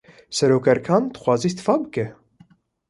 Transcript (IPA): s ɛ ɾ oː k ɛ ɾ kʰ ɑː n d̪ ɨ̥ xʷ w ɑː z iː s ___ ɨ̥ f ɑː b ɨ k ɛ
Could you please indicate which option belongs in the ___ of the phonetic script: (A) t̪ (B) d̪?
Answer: A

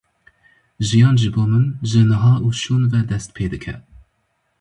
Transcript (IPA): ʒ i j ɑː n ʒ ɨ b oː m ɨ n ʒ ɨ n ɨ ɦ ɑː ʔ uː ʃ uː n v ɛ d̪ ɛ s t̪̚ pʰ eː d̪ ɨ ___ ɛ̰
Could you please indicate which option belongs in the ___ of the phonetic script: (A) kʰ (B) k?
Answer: A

